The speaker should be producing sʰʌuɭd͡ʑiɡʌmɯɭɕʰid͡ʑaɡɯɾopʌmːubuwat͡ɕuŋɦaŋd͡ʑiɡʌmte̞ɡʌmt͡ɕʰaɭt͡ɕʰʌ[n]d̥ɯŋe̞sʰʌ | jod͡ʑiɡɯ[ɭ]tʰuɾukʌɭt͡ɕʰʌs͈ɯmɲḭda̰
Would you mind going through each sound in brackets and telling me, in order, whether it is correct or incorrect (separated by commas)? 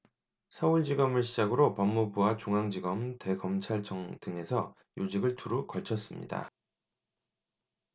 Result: incorrect, correct